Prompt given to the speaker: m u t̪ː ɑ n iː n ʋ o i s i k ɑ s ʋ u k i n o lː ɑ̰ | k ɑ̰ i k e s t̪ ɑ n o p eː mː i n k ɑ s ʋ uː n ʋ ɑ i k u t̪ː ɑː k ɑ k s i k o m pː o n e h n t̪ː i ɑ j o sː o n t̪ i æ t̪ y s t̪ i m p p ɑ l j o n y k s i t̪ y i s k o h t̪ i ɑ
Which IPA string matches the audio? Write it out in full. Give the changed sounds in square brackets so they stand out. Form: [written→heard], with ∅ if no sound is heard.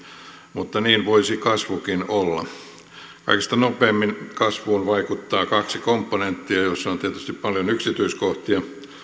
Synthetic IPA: m u t̪ː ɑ n iː n ʋ o i s i k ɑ s ʋ u k i n o lː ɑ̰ | k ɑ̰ i k e s t̪ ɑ n o p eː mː i n k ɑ s ʋ uː n ʋ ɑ i k u t̪ː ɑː k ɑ k s i k o m pː o n e [h→∅] n t̪ː i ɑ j o sː o n t̪ i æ t̪ y s t̪ i [m→∅] p p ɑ l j o n y k s i t̪ y i s k o h t̪ i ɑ

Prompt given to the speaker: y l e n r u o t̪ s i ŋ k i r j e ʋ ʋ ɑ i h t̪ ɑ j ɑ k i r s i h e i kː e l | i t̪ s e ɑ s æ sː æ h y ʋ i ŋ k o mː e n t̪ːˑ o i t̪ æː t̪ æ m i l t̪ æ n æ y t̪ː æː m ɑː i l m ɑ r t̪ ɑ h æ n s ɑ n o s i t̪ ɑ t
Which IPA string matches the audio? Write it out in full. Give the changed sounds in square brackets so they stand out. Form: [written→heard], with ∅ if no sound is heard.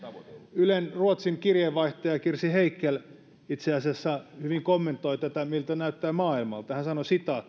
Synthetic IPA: y l e n r u o t̪ s i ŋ k i r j e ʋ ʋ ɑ i h t̪ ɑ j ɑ k i r s i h e i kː e l | i t̪ s e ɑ s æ sː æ h y ʋ i ŋ k o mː e n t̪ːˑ o i t̪ [æː→æ] t̪ æ m i l t̪ æ n æ y t̪ː æː m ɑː i l m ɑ [r→l] t̪ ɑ h æ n s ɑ n o s i t̪ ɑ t

